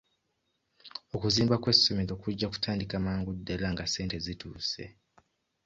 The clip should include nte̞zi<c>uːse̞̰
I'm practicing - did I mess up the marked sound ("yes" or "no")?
yes